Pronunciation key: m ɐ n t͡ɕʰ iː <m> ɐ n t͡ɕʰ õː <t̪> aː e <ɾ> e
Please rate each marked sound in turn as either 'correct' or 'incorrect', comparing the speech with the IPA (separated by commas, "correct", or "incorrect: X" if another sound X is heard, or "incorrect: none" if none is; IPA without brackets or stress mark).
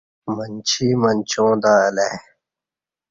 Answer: correct, incorrect: d̪, incorrect: l